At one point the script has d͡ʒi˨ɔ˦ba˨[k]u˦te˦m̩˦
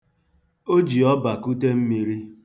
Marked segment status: correct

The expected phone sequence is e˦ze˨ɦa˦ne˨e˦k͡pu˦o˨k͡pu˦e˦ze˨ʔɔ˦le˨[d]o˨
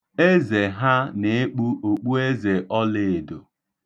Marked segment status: correct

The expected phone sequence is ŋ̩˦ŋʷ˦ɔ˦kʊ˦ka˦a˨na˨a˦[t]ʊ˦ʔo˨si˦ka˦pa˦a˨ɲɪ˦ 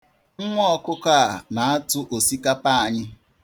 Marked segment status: correct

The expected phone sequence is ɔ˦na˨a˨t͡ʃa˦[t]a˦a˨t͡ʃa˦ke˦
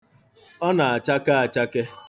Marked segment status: incorrect: k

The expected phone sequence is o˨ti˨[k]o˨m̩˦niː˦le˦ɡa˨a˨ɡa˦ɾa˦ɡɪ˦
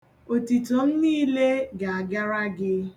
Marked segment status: incorrect: t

